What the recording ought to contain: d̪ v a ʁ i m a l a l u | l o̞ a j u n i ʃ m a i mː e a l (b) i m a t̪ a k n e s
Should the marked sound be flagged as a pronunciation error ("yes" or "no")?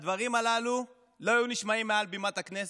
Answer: no